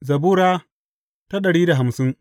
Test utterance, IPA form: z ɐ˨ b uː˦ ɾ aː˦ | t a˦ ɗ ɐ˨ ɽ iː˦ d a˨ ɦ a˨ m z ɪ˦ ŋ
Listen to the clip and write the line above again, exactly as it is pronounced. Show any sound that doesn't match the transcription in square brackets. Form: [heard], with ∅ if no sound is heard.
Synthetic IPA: z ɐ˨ b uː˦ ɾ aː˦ | t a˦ ɗ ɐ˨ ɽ iː˦ d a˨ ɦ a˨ m [s] ɪ˦ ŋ